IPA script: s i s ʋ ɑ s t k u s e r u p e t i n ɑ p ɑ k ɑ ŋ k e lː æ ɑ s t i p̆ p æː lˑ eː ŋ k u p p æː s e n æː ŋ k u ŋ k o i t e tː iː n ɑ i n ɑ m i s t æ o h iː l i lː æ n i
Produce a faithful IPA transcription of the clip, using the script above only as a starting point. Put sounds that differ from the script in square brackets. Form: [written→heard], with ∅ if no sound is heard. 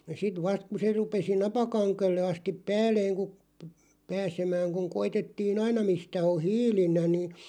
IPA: s i [s→t] ʋ ɑ s t k u s e r u p e [t→s] i n ɑ p ɑ k ɑ ŋ k e lː [æ→e] ɑ s t i p̆ p æː lˑ eː ŋ k u p p æː s e [n→m] æː ŋ k u ŋ k o i t e tː iː n ɑ i n ɑ m i s t æ o h iː l i lː æ n i